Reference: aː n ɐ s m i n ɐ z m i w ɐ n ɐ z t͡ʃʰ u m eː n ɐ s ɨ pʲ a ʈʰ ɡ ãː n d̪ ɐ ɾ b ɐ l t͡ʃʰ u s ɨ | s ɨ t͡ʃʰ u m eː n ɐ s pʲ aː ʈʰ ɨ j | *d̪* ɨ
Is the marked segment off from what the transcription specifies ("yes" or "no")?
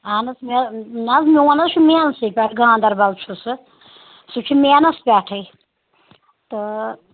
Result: yes